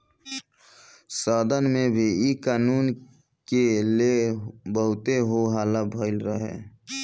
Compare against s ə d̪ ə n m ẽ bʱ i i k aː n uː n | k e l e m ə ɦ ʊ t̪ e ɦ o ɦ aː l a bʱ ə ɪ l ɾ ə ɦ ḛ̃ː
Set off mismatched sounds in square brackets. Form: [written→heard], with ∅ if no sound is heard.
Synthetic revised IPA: s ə d̪ ə n m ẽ bʱ i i k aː n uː n | k e l e [m→b] ə ɦ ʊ t̪ e ɦ o ɦ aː l a bʱ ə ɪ l ɾ ə ɦ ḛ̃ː